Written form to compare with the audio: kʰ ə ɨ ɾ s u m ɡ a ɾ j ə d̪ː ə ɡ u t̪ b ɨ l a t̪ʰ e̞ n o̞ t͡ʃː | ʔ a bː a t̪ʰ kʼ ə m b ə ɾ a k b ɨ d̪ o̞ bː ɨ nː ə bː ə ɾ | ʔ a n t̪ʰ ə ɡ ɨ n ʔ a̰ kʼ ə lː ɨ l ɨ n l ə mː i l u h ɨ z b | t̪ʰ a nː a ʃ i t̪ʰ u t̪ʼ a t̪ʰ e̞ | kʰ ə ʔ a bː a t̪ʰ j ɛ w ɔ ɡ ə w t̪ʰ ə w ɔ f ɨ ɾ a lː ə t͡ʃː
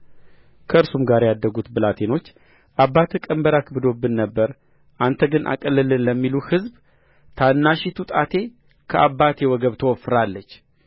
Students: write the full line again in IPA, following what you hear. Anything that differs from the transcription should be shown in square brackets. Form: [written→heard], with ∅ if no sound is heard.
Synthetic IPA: kʰ ə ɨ ɾ s u m ɡ a ɾ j [ə→a] d̪ː ə ɡ u t̪ b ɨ l a t̪ʰ e̞ n o̞ t͡ʃː | ʔ a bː a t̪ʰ kʼ ə m b ə ɾ a k b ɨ d̪ o̞ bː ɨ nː ə bː ə ɾ | ʔ a n t̪ʰ ə ɡ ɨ n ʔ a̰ kʼ ə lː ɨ l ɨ n l ə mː i l u h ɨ z b | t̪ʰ a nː a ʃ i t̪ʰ u t̪ʼ a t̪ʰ e̞ | kʰ ə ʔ a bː a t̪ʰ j ɛ w ɔ ɡ ə [w→β] t̪ʰ ə w ɔ f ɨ ɾ a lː ə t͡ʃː